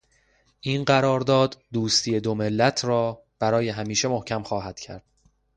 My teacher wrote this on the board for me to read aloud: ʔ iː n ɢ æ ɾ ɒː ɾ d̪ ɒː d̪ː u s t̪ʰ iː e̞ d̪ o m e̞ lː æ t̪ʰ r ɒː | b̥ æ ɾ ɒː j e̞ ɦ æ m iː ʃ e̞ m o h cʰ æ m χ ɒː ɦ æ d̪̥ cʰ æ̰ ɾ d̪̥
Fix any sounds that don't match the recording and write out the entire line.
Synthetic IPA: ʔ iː n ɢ æ ɾ ɒː ɾ d̪ ɒː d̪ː uː s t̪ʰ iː e̞ d̪ o m e̞ lː æ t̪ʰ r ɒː | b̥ æ ɾ ɒː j e̞ ɦ æ m iː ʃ e̞ m o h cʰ æ m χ ɒː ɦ æ d̪̥ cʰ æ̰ ɾ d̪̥